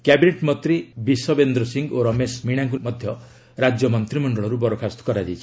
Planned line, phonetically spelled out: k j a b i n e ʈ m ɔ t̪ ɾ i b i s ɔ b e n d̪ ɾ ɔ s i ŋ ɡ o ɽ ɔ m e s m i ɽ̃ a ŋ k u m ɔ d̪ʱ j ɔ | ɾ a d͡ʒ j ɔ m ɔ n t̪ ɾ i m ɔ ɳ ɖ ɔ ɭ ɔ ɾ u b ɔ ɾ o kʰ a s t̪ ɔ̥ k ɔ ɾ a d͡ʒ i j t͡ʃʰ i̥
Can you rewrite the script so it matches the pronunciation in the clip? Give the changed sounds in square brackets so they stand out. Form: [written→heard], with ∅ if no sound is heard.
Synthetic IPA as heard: k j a b i n e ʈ m ɔ t̪ ɾ i b i s ɔ b e n d̪ ɾ ɔ s i ŋ ɡ o [ɽ→ɾ] ɔ m e s m i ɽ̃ a ŋ k u m ɔ d̪ʱ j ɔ | ɾ a d͡ʒ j ɔ m ɔ n t̪ ɾ i m ɔ ɳ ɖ ɔ ɭ ɔ ɾ u b ɔ ɾ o kʰ a s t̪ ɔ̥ k ɔ ɾ a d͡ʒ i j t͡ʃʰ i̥